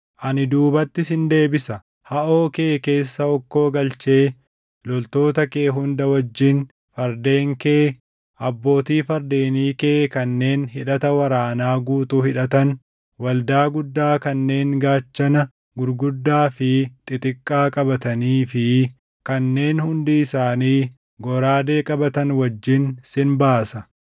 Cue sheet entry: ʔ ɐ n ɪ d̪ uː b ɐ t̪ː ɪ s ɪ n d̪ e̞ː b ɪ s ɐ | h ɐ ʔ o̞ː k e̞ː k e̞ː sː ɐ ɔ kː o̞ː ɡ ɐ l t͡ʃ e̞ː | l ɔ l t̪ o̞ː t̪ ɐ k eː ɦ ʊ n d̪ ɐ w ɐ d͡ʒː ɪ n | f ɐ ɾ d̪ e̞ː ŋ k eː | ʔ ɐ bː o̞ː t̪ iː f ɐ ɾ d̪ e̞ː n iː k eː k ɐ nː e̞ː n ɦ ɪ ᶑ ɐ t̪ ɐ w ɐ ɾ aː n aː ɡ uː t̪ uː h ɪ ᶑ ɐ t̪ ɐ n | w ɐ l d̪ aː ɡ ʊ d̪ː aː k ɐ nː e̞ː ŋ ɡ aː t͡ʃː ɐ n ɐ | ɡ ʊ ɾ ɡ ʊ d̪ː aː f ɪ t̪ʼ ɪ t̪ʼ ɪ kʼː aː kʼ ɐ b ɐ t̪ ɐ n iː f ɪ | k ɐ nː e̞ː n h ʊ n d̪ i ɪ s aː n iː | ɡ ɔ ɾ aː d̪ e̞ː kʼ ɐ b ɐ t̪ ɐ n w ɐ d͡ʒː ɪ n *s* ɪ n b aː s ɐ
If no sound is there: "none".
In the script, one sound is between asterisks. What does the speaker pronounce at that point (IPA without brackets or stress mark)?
s